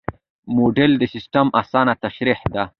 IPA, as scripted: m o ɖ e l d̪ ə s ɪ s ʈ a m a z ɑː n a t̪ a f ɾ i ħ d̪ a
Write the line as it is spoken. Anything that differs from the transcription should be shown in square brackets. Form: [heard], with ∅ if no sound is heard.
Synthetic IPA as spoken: m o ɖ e l d̪ ə s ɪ s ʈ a m a [s] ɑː n a t̪ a [ʃ] ɾ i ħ d̪ a